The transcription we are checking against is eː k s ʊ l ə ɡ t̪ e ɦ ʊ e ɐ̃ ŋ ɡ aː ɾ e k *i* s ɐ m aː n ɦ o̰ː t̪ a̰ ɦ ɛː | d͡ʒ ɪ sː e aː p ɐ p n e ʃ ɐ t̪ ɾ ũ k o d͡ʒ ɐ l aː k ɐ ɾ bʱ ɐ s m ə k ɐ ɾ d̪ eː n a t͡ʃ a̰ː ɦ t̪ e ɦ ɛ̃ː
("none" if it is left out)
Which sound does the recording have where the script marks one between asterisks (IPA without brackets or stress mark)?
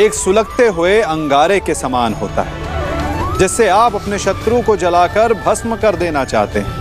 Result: e